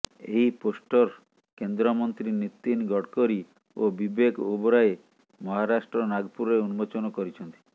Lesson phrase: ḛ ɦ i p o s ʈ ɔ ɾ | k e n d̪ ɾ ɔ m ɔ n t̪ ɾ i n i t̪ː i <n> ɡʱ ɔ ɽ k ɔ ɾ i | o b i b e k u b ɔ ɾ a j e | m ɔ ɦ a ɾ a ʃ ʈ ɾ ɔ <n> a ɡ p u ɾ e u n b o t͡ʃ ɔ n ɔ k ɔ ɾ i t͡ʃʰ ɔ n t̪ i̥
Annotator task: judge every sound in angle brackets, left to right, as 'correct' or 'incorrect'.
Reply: correct, correct

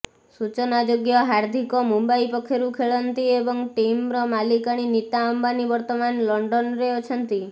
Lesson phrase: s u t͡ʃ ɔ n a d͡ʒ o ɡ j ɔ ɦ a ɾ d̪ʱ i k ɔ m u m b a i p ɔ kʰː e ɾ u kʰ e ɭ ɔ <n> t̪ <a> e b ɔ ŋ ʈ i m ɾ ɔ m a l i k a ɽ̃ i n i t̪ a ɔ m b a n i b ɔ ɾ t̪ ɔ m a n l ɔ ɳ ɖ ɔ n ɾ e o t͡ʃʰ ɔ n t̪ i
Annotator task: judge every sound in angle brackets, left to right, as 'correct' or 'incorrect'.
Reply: correct, incorrect: i

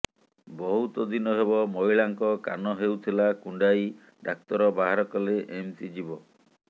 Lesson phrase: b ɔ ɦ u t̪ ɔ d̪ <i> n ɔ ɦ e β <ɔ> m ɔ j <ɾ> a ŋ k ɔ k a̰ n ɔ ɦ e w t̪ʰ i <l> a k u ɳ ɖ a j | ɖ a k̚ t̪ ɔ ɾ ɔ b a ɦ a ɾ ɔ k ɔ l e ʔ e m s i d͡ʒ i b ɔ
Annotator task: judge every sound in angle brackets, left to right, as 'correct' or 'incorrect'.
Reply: correct, correct, incorrect: ɭ, correct

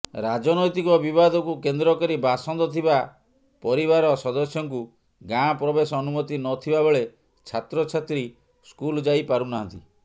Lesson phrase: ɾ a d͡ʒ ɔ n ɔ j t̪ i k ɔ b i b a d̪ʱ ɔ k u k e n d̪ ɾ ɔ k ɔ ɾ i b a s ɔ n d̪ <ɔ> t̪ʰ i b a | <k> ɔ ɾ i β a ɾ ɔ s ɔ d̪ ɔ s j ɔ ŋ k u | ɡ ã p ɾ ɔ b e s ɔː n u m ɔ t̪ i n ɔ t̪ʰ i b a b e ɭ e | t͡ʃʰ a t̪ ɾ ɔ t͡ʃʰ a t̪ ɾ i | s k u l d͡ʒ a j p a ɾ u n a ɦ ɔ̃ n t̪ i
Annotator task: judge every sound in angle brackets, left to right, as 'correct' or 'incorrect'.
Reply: correct, incorrect: p

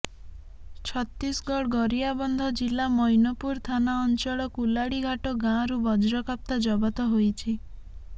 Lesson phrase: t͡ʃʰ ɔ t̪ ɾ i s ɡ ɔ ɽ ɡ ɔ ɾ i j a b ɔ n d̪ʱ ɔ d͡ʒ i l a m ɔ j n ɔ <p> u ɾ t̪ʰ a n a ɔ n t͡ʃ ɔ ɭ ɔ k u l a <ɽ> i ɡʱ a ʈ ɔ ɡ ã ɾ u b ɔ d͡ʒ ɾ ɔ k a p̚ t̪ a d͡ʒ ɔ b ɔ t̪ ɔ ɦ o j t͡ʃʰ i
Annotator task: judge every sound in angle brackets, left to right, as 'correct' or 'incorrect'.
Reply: correct, correct

